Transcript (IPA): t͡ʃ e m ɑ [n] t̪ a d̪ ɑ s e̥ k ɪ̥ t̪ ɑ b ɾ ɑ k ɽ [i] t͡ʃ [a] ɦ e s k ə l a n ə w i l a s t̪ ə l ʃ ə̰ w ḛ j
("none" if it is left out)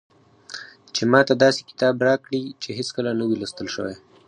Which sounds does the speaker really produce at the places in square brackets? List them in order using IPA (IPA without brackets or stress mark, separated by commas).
none, i, e